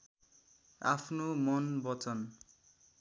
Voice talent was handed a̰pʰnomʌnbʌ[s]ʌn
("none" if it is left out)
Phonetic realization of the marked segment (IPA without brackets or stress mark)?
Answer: t͡s